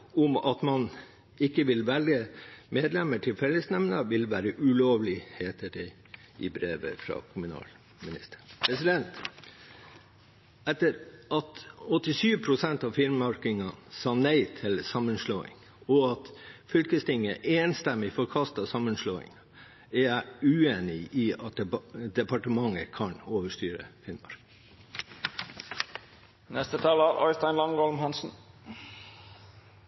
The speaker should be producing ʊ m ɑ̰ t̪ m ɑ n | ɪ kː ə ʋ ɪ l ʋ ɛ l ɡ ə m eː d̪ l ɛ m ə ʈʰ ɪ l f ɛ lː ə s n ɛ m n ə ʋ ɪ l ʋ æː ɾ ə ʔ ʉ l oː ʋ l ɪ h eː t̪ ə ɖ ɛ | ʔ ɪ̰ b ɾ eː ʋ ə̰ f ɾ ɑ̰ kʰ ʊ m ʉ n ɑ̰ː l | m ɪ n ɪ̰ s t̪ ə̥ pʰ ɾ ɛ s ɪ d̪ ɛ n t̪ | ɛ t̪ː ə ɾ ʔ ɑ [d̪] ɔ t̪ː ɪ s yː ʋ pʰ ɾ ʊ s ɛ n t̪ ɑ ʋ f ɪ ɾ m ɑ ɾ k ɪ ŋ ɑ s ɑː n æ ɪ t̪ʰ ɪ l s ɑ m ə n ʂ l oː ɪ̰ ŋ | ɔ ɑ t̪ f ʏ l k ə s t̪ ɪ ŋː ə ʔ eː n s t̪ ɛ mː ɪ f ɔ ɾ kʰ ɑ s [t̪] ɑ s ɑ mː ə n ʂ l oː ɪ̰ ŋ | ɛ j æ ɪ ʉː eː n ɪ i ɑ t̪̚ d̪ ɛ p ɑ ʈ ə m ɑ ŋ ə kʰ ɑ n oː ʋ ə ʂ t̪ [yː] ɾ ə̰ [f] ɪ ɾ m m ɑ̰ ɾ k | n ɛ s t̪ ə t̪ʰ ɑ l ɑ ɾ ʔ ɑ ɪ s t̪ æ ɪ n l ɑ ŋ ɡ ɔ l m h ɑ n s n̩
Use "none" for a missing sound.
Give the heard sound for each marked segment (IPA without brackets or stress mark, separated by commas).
t̪, t̪, yː, f